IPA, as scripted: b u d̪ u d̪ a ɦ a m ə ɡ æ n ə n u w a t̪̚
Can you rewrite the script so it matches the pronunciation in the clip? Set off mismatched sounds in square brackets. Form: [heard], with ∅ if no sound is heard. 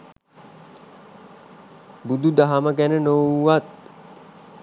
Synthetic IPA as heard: b u d̪ u d̪ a ɦ a m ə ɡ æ n ə n [o] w a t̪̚